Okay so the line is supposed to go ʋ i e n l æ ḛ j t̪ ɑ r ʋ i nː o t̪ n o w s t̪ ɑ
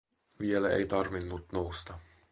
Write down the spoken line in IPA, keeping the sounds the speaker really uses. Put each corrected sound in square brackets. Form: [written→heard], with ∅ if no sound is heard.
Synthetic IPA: ʋ i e [n→∅] l æ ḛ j t̪ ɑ r ʋ i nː [o→u] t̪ n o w s t̪ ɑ